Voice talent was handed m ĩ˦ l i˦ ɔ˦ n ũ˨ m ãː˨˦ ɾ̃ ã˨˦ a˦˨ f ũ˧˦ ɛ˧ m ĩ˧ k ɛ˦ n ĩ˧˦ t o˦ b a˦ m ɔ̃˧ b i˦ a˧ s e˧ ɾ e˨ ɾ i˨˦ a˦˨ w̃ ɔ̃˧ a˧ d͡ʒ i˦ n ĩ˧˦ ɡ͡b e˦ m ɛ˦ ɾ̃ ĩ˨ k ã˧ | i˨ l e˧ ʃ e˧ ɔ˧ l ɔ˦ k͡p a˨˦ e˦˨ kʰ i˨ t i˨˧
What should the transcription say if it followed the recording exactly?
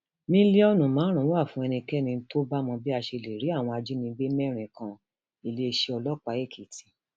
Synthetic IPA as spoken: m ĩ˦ l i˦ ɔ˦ n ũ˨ m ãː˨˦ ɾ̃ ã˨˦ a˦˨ f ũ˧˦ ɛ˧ n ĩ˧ k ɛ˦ n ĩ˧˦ t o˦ b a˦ m ɔ̃˧ b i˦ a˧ ʃ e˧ l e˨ ɾ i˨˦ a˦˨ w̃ ɔ̃˧ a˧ d͡ʒ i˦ n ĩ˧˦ ɡ͡b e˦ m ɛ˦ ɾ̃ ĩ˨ k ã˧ | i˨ l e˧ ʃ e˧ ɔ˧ l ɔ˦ k͡p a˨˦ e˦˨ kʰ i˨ t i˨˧